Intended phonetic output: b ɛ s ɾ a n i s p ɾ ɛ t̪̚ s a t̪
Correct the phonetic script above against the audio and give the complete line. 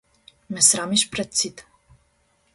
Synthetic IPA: m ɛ s ɾ a m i ʃ p ɾ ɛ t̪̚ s i t̪